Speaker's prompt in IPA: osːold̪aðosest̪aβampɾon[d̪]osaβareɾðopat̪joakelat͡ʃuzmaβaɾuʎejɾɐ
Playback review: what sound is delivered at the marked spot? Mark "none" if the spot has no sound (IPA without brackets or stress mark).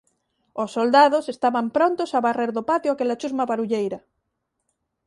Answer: t̪